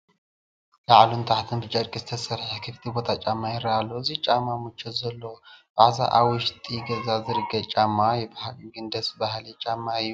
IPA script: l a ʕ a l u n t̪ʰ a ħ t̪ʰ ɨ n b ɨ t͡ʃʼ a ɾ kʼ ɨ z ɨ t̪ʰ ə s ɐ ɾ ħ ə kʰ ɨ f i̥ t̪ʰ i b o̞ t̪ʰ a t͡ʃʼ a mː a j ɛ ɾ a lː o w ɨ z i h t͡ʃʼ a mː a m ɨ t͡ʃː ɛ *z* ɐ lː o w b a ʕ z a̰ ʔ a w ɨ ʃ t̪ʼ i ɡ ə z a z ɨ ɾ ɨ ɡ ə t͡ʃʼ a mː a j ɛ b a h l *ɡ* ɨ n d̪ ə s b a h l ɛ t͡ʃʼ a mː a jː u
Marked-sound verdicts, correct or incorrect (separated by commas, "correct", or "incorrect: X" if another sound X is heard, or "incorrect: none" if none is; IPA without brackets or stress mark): correct, correct